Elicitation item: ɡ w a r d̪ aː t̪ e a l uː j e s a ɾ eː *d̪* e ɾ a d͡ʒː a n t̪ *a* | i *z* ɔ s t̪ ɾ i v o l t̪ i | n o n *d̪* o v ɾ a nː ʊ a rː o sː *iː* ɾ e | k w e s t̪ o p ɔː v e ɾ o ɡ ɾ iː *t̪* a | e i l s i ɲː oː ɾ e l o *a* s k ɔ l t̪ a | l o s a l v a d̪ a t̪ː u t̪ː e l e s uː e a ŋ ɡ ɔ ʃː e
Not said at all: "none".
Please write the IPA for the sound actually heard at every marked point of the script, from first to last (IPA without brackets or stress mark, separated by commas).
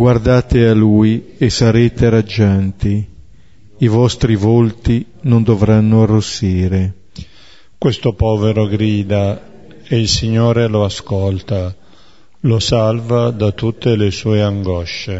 t̪, i, v, d̪, iː, d̪, a